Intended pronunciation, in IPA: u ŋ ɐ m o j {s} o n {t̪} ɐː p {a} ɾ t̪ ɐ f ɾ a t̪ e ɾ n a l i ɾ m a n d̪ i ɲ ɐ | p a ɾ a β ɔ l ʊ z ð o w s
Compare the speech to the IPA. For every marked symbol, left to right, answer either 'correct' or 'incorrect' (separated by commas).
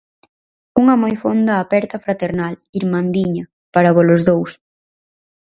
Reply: incorrect, incorrect, incorrect